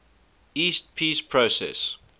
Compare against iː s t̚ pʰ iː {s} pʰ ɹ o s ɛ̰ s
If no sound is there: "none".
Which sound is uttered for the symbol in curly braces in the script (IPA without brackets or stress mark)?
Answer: s